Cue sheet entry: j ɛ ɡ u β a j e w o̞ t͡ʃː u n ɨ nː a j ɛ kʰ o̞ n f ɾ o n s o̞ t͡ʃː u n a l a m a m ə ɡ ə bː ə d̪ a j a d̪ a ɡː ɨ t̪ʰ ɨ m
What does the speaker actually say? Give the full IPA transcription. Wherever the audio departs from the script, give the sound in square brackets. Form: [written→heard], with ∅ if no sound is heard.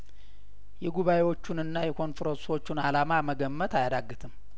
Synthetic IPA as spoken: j ɛ ɡ u β a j e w o̞ t͡ʃː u n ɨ nː a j ɛ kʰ o̞ n f ɾ o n s o̞ t͡ʃː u n a l a m a m ə ɡ ə [bː→mː] ə [d̪→t̪] a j a d̪ a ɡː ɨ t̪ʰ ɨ m